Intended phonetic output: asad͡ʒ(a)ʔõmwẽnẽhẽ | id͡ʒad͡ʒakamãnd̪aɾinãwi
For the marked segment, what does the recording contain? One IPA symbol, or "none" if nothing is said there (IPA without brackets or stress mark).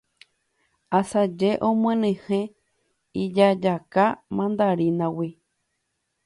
e